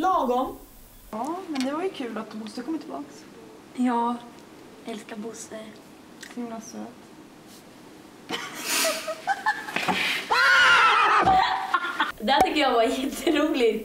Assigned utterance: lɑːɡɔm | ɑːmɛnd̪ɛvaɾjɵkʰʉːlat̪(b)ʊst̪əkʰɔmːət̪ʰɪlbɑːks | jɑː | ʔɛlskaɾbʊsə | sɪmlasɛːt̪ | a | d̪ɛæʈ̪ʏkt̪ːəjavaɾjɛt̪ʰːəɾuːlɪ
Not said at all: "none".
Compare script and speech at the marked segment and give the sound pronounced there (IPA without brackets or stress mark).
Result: b